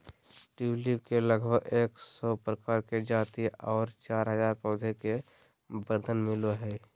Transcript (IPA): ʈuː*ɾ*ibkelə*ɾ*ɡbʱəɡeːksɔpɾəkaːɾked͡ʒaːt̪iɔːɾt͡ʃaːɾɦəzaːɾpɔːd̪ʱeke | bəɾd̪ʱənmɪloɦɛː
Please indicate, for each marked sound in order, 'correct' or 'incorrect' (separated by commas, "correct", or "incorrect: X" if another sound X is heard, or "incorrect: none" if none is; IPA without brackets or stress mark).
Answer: incorrect: l, incorrect: none